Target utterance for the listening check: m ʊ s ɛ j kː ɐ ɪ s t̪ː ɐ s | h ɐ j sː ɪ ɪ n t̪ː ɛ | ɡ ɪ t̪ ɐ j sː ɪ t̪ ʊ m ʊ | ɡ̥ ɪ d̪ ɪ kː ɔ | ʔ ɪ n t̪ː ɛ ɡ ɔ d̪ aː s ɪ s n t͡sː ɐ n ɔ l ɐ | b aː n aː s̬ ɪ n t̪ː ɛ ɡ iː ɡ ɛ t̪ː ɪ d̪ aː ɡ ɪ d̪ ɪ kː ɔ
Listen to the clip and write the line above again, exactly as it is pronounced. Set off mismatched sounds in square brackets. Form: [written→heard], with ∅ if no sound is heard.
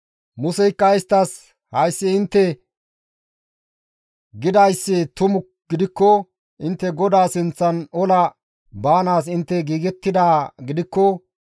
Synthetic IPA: m ʊ s ɛ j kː ɐ ɪ s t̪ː ɐ s | h ɐ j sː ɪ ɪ n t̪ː ɛ | ɡ ɪ [t̪→d̪] ɐ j sː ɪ t̪ ʊ m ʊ | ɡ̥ ɪ d̪ ɪ kː ɔ | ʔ ɪ n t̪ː ɛ ɡ ɔ d̪ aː s ɪ [s→∅] n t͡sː ɐ n ɔ l ɐ | b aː n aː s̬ ɪ n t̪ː ɛ ɡ iː ɡ ɛ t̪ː ɪ d̪ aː ɡ ɪ d̪ ɪ kː ɔ